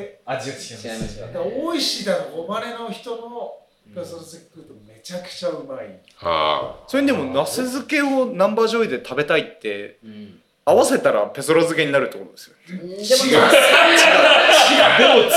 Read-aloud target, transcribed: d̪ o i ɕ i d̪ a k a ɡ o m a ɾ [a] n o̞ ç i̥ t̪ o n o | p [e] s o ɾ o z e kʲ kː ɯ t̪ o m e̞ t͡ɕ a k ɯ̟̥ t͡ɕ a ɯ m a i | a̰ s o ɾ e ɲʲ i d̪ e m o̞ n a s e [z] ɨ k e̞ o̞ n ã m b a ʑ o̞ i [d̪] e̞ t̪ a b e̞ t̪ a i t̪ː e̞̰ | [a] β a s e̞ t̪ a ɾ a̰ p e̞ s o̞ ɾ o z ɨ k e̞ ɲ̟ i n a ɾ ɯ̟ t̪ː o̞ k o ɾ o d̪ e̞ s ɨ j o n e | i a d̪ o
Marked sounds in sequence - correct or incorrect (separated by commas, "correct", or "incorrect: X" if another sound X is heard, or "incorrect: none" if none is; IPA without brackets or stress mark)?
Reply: incorrect: e, correct, correct, correct, correct